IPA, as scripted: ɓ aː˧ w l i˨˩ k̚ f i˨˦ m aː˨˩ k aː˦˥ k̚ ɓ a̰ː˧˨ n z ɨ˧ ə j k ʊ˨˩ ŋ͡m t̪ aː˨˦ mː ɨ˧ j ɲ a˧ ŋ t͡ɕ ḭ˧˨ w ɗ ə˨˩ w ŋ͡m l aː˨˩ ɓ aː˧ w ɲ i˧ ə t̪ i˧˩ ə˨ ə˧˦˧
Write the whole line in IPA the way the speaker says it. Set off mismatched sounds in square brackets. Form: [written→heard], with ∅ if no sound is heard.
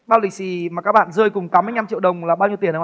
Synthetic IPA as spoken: ɓ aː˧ w l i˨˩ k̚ [f→s] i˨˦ m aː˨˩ k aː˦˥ k̚ ɓ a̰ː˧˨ n z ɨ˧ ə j k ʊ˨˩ ŋ͡m t̪ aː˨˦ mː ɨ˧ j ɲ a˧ [ŋ→m] t͡ɕ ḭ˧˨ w ɗ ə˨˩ w ŋ͡m l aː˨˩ ɓ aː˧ w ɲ i˧ ə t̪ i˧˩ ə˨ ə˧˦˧